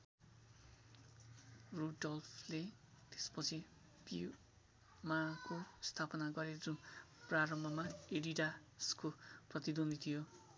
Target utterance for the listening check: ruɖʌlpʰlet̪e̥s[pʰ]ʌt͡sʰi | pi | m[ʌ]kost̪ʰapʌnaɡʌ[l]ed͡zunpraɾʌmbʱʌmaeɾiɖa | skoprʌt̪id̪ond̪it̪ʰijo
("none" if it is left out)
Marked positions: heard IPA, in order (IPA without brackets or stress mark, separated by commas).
p, a, ɾ